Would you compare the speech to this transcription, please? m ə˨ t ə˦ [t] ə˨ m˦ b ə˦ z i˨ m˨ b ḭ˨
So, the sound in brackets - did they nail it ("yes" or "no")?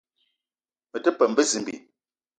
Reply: no